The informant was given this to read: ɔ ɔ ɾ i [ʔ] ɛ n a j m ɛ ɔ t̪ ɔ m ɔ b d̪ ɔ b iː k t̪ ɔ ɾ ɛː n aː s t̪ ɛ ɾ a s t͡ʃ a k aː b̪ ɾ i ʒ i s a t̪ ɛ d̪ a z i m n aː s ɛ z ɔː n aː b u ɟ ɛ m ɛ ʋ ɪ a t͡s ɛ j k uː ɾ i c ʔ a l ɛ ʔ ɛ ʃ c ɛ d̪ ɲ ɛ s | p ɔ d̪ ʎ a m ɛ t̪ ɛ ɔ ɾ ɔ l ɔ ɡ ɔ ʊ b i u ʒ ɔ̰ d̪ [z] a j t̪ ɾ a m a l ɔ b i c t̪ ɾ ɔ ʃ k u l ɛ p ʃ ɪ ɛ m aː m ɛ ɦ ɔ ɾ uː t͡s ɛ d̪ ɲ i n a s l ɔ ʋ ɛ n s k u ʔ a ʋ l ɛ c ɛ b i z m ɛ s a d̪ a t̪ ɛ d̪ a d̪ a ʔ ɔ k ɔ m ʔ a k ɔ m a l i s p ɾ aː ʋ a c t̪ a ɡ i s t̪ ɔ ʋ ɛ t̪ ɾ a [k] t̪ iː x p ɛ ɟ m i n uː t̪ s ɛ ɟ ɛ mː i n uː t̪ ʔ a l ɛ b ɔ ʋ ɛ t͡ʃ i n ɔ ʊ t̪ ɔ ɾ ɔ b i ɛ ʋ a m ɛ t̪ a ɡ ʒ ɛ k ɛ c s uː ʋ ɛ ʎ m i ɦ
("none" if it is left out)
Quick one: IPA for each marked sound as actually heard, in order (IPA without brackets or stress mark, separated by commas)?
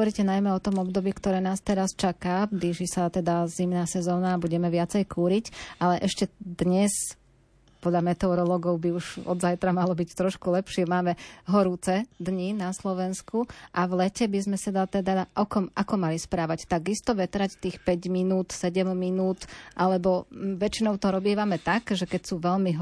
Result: c, z, c